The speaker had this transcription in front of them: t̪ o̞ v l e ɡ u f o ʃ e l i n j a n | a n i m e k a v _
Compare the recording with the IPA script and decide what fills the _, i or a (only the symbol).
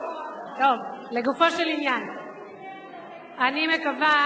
a